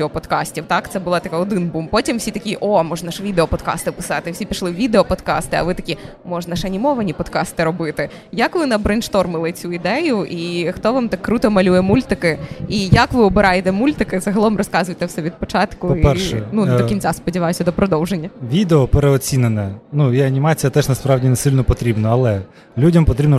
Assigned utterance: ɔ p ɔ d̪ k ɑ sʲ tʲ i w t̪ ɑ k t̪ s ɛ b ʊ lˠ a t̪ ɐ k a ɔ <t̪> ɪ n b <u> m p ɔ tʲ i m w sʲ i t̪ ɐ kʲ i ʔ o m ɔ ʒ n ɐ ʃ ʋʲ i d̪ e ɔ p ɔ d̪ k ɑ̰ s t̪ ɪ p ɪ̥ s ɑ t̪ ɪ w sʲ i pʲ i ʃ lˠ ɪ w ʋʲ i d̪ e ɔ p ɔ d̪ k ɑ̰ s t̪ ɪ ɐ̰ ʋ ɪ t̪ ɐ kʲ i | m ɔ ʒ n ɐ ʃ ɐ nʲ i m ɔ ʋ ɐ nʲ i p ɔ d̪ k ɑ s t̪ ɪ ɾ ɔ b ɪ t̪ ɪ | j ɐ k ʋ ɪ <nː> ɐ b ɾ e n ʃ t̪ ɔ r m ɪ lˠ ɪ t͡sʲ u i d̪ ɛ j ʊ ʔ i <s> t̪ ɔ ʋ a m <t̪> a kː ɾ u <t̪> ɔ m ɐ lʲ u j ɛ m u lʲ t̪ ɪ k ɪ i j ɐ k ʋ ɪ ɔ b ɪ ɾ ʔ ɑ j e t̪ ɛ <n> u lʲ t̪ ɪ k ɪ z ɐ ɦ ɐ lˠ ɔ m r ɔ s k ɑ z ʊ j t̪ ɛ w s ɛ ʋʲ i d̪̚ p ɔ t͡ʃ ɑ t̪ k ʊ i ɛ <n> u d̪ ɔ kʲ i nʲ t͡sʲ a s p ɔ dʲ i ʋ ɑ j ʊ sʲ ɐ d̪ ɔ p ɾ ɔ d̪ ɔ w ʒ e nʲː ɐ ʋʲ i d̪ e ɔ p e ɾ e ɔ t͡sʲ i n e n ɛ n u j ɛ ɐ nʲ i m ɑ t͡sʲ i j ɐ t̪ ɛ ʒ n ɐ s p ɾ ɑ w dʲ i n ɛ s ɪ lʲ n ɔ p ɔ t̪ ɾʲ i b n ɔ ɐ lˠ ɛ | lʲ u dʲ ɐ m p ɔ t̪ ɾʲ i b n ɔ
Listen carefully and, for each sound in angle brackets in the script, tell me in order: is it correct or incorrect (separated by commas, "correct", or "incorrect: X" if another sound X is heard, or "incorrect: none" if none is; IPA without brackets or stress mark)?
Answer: incorrect: d̪, correct, incorrect: n, incorrect: x, correct, correct, incorrect: m, correct